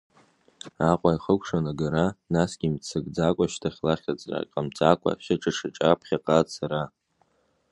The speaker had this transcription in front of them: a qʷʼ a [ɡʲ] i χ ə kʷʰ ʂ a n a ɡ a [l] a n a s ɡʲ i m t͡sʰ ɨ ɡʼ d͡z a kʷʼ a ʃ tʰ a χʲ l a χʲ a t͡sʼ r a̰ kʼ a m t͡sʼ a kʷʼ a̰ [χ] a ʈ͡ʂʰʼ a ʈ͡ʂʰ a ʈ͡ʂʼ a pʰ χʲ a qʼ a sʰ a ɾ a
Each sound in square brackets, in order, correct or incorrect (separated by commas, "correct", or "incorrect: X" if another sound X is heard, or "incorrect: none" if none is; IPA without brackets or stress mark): incorrect: none, incorrect: ɾ, incorrect: ʃ